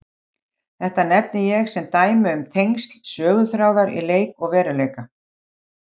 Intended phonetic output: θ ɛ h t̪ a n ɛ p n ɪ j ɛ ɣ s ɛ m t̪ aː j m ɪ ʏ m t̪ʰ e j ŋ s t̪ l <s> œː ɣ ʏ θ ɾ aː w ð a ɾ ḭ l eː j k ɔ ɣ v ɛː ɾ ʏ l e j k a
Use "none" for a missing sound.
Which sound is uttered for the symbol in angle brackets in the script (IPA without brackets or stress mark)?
s